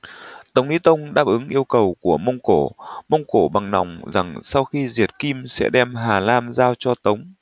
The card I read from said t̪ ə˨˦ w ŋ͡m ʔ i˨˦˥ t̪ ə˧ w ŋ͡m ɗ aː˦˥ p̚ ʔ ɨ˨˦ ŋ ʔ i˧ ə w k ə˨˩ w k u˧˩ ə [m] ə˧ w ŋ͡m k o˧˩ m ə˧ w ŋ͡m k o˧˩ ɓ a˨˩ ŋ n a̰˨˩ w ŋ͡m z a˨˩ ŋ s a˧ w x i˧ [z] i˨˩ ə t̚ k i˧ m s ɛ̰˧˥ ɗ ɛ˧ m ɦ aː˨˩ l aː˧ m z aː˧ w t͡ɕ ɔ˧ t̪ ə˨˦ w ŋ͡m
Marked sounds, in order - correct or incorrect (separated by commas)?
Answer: correct, correct